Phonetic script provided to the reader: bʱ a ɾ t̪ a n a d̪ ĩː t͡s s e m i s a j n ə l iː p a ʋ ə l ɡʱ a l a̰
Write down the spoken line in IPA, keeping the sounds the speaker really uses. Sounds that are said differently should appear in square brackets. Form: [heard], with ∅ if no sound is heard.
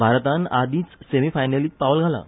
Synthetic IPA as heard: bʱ a ɾ t̪ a n a d̪ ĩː t͡s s e m i [f] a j n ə l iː p a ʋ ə l ɡʱ a l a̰